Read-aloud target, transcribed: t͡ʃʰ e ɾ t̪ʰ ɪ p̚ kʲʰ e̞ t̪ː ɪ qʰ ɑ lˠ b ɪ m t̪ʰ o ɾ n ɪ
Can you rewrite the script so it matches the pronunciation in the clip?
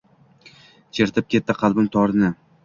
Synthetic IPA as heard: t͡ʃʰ e ɾ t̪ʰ ɪ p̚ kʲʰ e̞ t̪ː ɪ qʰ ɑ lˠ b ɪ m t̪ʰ ɒ ɾ n ɪ